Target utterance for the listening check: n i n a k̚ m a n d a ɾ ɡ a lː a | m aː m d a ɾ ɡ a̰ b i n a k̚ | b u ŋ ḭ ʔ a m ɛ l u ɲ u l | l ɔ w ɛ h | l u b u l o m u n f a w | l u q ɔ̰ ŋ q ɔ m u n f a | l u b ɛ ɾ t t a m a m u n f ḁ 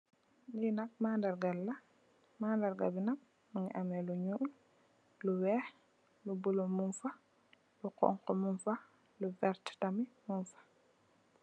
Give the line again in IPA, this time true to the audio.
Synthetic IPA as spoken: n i n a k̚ m a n d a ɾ ɡ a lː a | m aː n d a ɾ ɡ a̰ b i n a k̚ | m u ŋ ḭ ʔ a m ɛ l u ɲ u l | l u w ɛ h | l u b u l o m u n f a | l u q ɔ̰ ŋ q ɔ m u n f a | l u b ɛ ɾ t t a m i m u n f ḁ

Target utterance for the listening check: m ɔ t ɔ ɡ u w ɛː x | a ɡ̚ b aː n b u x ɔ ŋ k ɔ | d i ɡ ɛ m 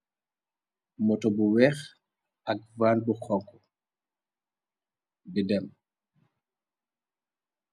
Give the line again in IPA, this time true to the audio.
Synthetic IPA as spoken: m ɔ t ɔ b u w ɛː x | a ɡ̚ v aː n b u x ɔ ŋ k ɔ | b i d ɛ m

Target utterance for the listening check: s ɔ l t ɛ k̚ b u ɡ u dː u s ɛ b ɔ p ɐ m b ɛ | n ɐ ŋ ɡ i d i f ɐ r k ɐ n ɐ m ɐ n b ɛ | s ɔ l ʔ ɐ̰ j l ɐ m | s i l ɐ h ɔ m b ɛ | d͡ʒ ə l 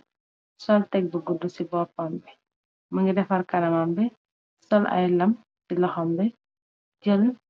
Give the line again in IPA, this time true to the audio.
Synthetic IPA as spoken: s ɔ l t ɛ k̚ b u ɡ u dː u s i b ɔ p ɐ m b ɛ | m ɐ ŋ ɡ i d ɛ f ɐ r k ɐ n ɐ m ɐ m b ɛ | s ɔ l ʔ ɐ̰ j l ɐ m | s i l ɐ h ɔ m b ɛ | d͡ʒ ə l

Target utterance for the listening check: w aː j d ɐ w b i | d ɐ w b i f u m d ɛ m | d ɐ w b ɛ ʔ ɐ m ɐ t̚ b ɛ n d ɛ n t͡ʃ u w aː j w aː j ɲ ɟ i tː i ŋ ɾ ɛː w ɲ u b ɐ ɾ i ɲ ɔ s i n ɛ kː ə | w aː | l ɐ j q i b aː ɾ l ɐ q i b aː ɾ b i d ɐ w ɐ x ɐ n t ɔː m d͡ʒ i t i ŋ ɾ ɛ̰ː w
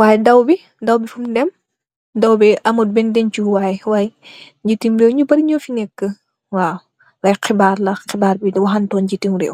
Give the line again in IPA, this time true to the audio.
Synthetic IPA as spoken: w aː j d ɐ w b i | d ɐ w b i f u m d ɛ m | d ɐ w b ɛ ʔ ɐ m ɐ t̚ b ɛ n d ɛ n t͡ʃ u w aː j w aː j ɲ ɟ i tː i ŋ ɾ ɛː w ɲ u b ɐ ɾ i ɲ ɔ f i n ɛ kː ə | w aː | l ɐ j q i b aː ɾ l ɐ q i b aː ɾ b i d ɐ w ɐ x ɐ n t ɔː n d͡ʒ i t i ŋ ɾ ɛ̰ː w

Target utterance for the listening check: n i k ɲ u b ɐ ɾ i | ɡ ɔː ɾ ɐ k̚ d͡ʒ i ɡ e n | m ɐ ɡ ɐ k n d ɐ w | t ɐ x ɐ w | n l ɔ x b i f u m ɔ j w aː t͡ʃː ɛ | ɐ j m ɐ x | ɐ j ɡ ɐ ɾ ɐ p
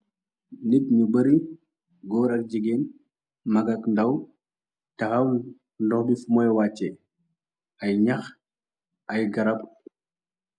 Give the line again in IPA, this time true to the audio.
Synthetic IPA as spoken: n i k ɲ u b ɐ ɾ i | ɡ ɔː ɾ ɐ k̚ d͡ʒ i ɡ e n | m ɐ ɡ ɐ k n d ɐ w | t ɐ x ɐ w | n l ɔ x b i f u m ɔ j w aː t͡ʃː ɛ | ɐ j ɲ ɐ x | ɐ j ɡ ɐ ɾ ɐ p

